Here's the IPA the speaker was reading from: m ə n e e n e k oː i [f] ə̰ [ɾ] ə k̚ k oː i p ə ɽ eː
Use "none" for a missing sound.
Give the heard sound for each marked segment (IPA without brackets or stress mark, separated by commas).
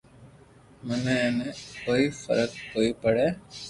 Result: f, ɾ